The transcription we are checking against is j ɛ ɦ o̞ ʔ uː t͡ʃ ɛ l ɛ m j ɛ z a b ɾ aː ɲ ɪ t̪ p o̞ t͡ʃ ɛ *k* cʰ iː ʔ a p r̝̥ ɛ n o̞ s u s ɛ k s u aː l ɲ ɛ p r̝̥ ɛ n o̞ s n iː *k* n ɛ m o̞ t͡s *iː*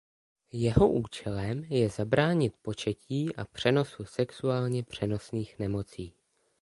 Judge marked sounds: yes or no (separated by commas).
no, no, yes